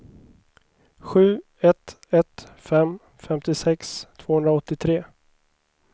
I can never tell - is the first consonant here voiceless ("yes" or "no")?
yes